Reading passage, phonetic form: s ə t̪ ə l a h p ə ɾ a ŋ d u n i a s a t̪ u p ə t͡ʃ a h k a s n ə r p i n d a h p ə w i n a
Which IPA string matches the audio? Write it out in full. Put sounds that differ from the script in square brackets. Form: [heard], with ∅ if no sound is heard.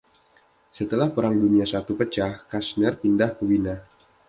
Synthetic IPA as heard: s ə t̪ ə l a h p ə ɾ a ŋ d u n i a s a t̪ u p ə t͡ʃ a h k a s n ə r p i n d a h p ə w i n a